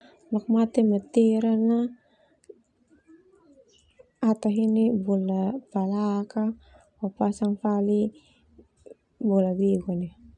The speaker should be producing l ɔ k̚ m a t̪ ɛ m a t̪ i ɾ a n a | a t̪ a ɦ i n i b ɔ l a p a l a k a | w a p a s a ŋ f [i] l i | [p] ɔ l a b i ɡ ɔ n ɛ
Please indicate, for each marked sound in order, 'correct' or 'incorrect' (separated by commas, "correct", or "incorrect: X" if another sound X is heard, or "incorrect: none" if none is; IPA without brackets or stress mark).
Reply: incorrect: a, incorrect: b